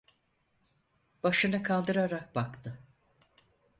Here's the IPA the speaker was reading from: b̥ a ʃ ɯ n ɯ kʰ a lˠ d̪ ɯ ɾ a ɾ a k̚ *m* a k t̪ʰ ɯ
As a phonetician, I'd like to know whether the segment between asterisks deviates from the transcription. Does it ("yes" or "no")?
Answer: yes